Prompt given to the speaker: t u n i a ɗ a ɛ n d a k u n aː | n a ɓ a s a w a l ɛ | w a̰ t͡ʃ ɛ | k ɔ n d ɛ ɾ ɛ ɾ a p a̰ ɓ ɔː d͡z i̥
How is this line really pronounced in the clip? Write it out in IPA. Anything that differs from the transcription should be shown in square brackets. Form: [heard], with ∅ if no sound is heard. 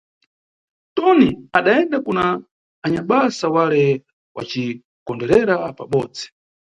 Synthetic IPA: t [ɔ] n i a ɗ a ɛ n d a k u n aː | [ɲ] a ɓ a s a w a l ɛ | w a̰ t͡ʃ [i] | k ɔ n d ɛ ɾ ɛ ɾ a p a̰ ɓ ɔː d͡z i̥